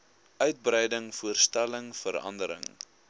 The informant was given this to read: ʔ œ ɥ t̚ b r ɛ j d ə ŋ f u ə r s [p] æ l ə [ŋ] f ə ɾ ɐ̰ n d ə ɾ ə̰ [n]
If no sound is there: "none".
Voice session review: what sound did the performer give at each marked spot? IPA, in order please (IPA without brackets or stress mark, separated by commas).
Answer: t, ŋ, ŋ